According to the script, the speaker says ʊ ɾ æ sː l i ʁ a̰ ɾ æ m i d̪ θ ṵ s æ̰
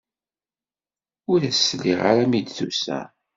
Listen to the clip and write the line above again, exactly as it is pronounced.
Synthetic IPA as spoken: ʊ ɾ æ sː l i ʁ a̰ ɾ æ m i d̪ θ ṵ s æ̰